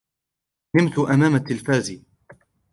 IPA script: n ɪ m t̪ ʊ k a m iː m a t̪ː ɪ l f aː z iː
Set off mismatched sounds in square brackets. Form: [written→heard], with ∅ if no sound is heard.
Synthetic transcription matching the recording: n ɪ m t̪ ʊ [k→ʔ] a m [iː→aː] m a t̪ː ɪ l f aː z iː